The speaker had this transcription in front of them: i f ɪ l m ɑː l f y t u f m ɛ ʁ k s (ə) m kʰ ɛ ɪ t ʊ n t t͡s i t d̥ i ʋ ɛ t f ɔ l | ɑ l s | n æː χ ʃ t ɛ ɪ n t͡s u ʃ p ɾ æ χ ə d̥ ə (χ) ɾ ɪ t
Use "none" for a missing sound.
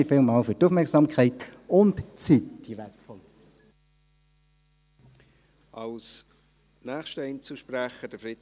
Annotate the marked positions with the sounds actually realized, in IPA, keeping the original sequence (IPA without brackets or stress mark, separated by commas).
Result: ɑ, f